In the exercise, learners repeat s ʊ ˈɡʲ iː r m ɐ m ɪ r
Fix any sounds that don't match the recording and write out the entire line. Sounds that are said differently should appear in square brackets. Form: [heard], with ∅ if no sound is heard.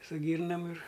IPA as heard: s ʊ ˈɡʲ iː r [n] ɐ m ɪ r

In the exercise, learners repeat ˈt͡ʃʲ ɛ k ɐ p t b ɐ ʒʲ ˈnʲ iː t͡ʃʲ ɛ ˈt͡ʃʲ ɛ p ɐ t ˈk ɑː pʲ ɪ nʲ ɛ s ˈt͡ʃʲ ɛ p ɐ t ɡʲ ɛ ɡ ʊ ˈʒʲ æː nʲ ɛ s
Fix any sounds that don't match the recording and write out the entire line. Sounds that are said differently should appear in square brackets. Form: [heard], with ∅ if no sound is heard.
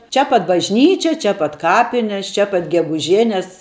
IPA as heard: ˈt͡ʃʲ ɛ [p] ɐ [∅] t b ɐ ʒʲ ˈnʲ iː t͡ʃʲ ɛ ˈt͡ʃʲ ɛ p ɐ t ˈk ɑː pʲ ɪ nʲ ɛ s ˈt͡ʃʲ ɛ p ɐ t ɡʲ ɛ ɡ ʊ ˈʒʲ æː nʲ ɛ s

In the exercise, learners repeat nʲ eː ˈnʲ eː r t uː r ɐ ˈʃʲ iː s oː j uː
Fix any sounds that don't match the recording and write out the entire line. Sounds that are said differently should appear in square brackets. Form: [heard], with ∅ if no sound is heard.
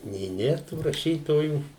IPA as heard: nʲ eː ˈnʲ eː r t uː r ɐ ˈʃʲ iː [t] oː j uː

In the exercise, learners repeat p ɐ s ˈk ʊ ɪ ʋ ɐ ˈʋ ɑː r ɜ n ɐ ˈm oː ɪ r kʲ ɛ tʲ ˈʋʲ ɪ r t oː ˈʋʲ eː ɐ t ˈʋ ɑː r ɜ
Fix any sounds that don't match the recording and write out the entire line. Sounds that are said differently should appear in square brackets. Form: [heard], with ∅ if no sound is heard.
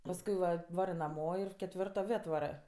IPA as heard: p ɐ s ˈk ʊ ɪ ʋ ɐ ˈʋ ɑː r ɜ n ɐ ˈm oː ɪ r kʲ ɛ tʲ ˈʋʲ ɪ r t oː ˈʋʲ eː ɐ t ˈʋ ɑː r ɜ

